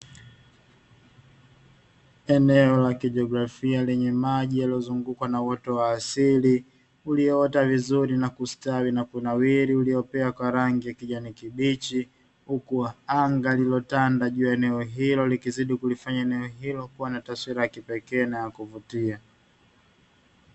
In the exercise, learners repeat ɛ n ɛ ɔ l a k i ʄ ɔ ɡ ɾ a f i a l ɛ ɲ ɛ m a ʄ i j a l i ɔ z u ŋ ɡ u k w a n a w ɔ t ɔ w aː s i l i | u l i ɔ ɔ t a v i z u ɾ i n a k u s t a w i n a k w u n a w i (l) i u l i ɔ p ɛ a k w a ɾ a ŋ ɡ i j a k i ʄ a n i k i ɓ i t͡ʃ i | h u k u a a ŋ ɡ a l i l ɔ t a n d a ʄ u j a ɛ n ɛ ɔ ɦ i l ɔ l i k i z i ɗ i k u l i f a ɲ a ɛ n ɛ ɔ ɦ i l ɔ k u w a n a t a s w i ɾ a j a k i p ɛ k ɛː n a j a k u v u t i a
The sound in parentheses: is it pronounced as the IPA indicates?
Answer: no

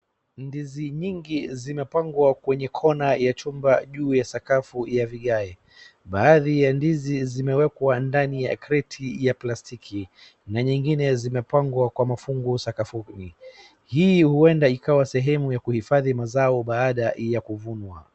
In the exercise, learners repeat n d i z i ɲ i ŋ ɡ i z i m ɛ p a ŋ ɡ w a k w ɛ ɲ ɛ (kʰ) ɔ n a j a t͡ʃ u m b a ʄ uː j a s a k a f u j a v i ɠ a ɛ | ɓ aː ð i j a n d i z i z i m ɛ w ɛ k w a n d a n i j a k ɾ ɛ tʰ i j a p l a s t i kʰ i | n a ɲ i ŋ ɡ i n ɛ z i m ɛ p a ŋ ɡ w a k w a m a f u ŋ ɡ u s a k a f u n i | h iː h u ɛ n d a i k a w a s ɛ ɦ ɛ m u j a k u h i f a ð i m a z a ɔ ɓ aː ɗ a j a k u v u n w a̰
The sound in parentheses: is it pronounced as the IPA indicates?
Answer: yes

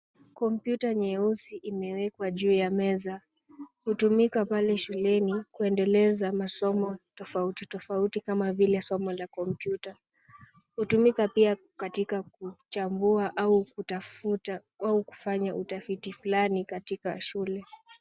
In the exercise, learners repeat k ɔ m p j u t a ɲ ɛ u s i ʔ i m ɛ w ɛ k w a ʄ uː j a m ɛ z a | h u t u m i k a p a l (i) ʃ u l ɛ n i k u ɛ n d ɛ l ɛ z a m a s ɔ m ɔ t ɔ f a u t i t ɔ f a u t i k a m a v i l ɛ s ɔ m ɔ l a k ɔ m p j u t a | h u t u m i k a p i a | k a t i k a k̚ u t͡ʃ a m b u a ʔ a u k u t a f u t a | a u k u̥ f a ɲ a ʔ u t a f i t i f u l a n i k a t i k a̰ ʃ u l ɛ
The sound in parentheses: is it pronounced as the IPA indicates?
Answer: no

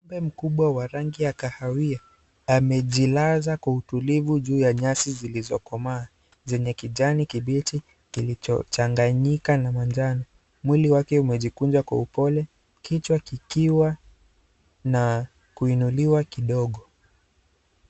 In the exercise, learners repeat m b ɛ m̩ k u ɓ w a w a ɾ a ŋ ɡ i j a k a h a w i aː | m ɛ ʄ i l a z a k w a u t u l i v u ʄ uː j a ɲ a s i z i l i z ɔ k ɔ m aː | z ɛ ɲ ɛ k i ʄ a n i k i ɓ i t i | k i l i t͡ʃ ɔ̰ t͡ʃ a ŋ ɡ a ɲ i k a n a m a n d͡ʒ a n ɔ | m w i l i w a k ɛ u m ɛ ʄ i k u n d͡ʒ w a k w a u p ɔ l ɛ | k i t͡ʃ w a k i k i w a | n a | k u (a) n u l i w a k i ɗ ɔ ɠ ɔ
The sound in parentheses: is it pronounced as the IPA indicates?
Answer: no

